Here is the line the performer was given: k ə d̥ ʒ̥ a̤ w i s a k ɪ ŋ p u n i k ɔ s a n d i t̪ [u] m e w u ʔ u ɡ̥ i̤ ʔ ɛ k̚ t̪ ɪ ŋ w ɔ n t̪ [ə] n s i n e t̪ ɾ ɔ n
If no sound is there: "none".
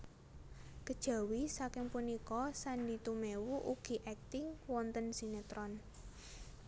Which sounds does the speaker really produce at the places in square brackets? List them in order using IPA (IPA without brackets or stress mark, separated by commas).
u, ə